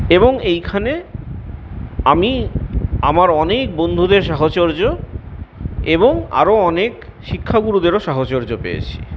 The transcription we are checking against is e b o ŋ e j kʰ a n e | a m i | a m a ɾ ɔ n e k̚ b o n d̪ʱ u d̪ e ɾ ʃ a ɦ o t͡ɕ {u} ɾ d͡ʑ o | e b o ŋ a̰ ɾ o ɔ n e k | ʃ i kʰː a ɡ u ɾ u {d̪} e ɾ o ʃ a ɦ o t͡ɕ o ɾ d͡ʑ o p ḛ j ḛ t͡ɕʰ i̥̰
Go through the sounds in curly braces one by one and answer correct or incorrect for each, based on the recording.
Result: incorrect, correct

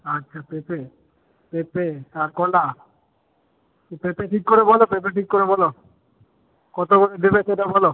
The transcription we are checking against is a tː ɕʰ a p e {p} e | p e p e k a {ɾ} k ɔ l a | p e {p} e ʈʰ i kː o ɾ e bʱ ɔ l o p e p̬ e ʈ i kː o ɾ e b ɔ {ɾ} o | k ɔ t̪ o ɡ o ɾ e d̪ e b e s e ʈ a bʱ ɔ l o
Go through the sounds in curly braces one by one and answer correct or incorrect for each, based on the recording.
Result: correct, correct, correct, incorrect

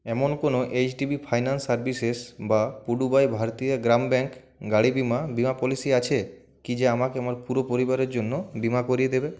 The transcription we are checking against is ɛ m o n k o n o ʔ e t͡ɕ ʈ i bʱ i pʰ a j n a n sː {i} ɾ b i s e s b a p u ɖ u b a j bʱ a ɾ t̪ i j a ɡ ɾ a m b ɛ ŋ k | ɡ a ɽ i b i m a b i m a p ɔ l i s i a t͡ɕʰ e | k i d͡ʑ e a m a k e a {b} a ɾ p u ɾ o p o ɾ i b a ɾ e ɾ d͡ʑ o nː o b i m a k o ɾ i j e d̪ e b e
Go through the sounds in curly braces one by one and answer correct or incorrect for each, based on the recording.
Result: incorrect, incorrect

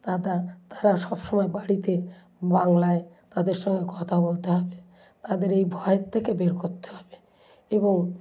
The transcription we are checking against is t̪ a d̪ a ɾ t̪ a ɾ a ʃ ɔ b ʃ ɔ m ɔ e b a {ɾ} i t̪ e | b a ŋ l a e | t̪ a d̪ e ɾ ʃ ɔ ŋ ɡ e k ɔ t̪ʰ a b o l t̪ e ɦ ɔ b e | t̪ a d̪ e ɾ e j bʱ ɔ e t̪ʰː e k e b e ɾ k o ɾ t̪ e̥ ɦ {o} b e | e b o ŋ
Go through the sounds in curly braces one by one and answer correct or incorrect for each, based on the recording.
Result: incorrect, incorrect

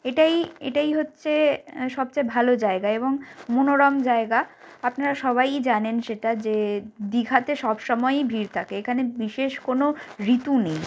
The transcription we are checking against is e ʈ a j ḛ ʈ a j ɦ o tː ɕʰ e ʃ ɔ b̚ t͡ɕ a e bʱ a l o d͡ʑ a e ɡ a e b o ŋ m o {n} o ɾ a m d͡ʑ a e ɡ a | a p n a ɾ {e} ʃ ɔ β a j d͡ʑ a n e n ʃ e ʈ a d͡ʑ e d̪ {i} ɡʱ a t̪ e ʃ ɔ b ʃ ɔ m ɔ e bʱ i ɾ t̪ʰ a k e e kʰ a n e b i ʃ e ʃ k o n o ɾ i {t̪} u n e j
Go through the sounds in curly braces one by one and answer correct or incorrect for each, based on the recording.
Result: correct, incorrect, correct, correct

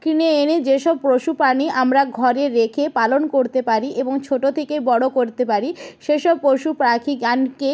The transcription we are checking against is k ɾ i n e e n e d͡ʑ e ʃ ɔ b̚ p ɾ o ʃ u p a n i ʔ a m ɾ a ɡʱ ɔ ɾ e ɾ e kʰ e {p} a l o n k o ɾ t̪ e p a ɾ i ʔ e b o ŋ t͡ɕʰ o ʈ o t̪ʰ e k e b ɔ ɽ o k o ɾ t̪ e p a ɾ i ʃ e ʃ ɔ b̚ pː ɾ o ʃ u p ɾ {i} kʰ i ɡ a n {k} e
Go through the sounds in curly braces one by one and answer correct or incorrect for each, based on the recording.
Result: correct, incorrect, correct

